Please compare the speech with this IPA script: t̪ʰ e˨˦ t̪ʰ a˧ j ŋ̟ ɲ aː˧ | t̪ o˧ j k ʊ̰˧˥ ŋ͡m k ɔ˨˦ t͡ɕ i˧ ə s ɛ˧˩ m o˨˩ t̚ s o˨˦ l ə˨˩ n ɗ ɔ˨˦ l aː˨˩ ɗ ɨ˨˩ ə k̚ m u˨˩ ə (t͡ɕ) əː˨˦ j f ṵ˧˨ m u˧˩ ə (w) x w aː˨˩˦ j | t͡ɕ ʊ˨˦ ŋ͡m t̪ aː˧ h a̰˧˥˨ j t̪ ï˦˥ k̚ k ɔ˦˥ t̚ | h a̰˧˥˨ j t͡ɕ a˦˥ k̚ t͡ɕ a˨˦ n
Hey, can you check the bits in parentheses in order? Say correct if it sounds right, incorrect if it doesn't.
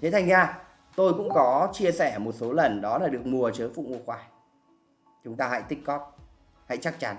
correct, incorrect: none

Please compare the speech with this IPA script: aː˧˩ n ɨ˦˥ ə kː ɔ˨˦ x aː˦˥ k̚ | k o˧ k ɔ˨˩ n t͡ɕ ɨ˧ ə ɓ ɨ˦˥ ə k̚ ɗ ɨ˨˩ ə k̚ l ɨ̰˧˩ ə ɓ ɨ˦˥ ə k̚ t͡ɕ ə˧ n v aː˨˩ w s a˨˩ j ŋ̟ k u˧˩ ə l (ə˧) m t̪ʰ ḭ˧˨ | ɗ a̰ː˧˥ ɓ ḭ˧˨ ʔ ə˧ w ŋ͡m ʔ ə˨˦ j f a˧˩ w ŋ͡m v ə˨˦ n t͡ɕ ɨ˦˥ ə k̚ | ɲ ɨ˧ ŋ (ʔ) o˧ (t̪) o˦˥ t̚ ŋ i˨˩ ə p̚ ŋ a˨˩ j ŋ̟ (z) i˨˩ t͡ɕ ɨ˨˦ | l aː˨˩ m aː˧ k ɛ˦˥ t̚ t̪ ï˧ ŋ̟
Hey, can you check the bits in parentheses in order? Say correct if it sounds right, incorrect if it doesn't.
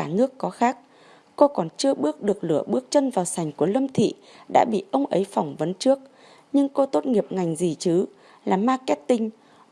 correct, incorrect: k, correct, correct

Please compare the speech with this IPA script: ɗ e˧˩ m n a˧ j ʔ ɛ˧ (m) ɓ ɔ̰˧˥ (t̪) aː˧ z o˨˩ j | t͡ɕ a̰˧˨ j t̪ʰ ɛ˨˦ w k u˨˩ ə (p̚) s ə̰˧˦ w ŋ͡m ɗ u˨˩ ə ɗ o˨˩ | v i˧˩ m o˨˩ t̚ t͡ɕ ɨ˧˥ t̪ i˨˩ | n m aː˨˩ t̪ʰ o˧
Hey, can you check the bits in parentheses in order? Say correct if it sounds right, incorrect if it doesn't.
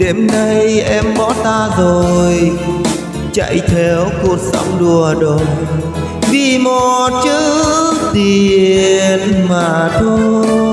correct, correct, incorrect: k̚

